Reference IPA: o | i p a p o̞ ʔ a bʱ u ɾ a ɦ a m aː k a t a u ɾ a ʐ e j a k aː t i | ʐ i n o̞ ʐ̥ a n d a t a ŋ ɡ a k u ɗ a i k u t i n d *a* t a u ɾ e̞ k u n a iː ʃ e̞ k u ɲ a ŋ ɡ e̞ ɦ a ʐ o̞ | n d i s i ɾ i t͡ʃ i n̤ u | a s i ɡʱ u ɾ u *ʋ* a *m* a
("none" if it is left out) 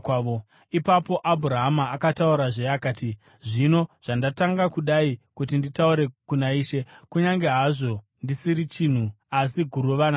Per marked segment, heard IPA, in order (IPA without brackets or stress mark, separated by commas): i, ʋ, n